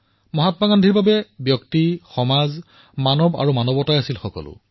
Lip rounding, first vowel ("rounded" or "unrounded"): rounded